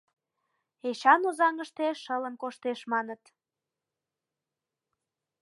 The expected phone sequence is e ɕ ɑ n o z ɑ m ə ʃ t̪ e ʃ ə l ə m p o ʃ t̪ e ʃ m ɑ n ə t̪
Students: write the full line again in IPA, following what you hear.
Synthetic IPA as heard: e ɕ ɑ n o z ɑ ŋ ə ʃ t̪ e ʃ ə l ə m k o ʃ t̪ e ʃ m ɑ n ə t̪